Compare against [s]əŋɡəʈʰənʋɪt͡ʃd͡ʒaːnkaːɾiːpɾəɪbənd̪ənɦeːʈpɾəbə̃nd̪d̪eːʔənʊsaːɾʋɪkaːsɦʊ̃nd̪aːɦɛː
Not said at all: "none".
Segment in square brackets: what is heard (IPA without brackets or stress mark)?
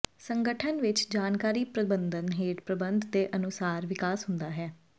s